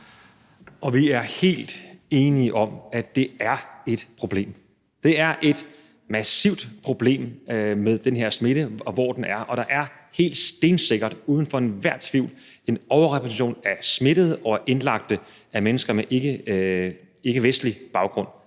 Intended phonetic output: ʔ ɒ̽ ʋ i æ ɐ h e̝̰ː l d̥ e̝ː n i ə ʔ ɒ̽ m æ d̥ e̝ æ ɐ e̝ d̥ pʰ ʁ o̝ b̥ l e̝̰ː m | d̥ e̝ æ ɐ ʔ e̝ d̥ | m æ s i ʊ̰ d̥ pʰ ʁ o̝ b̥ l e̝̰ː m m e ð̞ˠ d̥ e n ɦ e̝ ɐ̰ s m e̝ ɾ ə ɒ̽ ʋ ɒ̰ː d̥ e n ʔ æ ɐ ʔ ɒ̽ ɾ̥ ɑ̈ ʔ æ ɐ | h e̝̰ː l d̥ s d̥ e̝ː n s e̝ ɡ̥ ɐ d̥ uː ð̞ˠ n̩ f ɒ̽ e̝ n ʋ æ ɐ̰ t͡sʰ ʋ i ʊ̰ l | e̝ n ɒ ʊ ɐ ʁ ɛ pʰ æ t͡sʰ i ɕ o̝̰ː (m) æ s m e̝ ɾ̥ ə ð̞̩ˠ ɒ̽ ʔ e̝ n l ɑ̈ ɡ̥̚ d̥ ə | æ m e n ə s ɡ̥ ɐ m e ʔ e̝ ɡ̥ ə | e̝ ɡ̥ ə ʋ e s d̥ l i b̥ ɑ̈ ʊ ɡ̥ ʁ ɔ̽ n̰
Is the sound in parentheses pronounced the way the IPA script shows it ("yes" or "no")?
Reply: no